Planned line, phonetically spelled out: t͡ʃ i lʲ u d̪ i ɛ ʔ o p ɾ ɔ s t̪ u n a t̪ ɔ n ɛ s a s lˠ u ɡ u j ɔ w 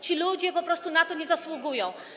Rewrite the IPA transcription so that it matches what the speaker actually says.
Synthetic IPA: t͡ʃ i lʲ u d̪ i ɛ p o p ɾ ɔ s t̪ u n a t̪ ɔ n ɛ z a s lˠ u ɡ u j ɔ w

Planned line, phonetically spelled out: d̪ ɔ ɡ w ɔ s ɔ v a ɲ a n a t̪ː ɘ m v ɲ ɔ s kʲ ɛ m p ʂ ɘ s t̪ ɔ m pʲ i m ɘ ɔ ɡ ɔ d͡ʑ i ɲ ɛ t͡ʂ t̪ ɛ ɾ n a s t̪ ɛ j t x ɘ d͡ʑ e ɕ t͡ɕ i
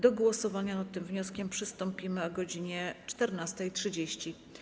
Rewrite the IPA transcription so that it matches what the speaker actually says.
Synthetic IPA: d̪ ɔ ɡ w ɔ s ɔ v a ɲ a n a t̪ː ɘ m v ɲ ɔ s kʲ ɛ m p ʂ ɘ s t̪ ɔ m pʲ i m ɘ ɔ ɡ ɔ d͡ʑ i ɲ ɛ t͡ʂ t̪ ɛ ɾ n a s t̪ ɛ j t ʂ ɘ d͡ʑ e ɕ t͡ɕ i

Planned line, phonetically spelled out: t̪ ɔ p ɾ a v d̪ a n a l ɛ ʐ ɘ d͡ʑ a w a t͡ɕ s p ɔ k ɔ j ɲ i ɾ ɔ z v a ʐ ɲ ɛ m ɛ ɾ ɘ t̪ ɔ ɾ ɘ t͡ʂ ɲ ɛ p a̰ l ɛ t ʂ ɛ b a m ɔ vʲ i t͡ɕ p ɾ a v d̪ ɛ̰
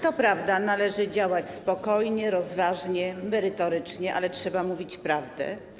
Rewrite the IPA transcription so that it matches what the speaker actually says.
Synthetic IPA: t̪ ɔ p ɾ a v d̪ a n a l ɛ ʐ ɘ d͡ʑ a w a t͡ɕ s p ɔ k ɔ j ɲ ɛ ɾ ɔ z v a ʐ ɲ ɛ m ɛ ɾ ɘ t̪ ɔ ɾ ɘ t͡ʂ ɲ ɛ ʔ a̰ l ɛ t ʂ ɛ b a m u vʲ i t͡ɕ p ɾ a v d̪ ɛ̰

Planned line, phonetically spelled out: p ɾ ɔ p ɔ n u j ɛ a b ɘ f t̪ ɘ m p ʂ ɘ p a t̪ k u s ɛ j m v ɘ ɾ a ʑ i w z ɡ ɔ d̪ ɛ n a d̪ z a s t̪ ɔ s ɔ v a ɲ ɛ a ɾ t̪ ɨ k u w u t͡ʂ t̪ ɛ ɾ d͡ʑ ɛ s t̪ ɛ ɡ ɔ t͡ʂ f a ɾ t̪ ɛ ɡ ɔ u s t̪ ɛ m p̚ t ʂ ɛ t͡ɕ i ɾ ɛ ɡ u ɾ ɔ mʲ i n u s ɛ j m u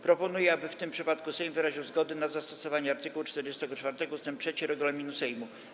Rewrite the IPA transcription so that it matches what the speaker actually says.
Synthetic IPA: p ɾ ɔ p ɔ n u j ɛ a b ɘ f t̪ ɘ m p ʂ ɘ p a t̪ k u s ɛ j m v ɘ ɾ a ʑ i w z ɡ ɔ d̪ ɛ n a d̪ z a s t̪ ɔ s ɔ v a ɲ ɛ a ɾ t̪ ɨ k u w u t͡ʂ t̪ ɛ ɾ d͡ʑ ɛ s t̪ ɛ ɡ ɔ t͡ʂ f a ɾ t̪ ɛ ɡ ɔ u s t̪ ɛ m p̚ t ʂ ɛ t͡ɕ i ɾ ɛ ɡ u l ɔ mʲ i n u s ɛ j m u

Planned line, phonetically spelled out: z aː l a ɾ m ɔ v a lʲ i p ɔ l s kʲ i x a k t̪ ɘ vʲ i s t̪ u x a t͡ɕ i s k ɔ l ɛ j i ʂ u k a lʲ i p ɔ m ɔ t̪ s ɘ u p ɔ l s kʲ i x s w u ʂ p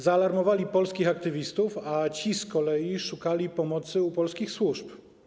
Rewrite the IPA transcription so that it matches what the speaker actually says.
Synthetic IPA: z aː l a ɾ m ɔ v a lʲ i p ɔ l s kʲ i x a k t̪ ɘ vʲ i s t̪ u f a t͡ɕ i s k ɔ l ɛ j i ʂ u k a lʲ i p ɔ m ɔ t̪ s ɘ u p ɔ l s kʲ i x s w u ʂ p

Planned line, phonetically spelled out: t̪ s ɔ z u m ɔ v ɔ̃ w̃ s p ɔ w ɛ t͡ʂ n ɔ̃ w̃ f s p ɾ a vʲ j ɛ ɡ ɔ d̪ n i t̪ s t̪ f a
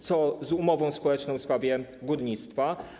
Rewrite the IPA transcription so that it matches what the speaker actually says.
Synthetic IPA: t̪ s ɔ z u m ɔ v ɔ̃ w̃ s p ɔ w ɛ t͡ʂ n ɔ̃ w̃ f s p ɾ a vʲ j ɛ ɡ u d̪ ɲ i t̪ s t̪ f a

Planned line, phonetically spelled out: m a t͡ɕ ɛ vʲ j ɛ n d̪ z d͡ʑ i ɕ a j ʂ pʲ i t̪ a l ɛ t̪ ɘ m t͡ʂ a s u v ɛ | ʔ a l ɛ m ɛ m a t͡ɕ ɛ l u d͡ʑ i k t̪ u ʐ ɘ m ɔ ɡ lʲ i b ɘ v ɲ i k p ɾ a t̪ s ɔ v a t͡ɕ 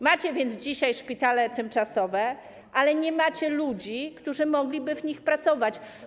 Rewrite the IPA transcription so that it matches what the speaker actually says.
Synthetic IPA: m a t͡ɕ ɛ vʲ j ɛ n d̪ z d͡ʑ i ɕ a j ʂ pʲ i t̪ a l ɛ t̪ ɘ m t͡ʂ a s ɔ v ɛ | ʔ a l ɛ ɲ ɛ m a t͡ɕ ɛ l u d͡ʑ i k t̪ u ʐ ɘ m ɔ ɡ lʲ i b ɘ v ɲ i x p ɾ a t̪ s ɔ v a t͡ɕ

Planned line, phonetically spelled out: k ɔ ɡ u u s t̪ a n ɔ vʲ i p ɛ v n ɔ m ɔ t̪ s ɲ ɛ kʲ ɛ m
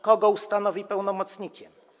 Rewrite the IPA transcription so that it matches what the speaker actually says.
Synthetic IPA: k ɔ ɡ ɔ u s t̪ a n ɔ vʲ i p ɛ w n ɔ m ɔ t̪ s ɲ i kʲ ɛ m

